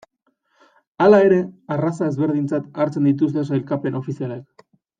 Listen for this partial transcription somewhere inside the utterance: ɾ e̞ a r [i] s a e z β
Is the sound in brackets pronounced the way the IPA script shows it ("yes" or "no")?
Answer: no